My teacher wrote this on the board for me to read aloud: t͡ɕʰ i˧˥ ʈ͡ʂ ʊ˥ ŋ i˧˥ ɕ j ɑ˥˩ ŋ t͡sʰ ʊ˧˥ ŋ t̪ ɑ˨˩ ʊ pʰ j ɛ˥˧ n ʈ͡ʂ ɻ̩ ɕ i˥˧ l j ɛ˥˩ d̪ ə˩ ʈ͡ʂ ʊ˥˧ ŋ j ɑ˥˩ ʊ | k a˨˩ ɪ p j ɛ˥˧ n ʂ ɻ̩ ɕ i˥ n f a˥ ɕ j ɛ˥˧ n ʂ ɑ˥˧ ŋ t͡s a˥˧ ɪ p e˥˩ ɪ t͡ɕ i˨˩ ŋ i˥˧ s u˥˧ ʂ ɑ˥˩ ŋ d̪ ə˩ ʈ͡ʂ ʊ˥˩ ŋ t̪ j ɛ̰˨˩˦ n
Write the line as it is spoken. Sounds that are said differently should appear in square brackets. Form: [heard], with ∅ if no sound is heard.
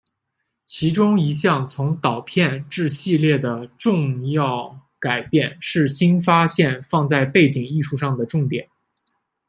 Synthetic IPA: t͡ɕʰ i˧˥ ʈ͡ʂ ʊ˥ ŋ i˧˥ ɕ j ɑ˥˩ ŋ t͡sʰ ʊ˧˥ ŋ t̪ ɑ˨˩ ʊ pʰ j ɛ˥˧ n ʈ͡ʂ ɻ̩ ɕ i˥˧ l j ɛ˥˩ d̪ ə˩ ʈ͡ʂ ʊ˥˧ ŋ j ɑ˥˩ ʊ | k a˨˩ ɪ p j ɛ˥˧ n ʂ ɻ̩ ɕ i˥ n f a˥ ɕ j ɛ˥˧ n [f] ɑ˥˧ ŋ t͡s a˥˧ ɪ p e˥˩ ɪ t͡ɕ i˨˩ ŋ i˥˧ [ʂ] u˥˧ ʂ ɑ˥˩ ŋ d̪ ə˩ ʈ͡ʂ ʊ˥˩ ŋ t̪ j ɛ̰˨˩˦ n